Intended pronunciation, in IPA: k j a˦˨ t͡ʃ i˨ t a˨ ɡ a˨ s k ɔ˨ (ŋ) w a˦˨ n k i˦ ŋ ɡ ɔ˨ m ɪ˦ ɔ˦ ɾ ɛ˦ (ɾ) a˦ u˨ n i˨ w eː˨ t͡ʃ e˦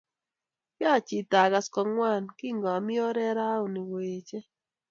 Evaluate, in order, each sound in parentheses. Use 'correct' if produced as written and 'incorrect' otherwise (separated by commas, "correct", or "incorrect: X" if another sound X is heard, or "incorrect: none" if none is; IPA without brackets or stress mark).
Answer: correct, correct